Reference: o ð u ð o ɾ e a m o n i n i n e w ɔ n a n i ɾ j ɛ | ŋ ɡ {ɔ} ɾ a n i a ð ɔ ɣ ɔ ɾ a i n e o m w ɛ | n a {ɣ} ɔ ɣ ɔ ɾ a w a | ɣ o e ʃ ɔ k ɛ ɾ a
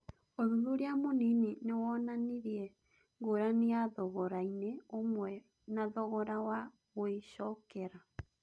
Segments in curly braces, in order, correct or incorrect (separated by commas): incorrect, incorrect